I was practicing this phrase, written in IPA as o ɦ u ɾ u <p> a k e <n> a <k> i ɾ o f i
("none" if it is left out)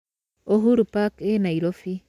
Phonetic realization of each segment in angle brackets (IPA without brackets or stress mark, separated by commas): p, n, none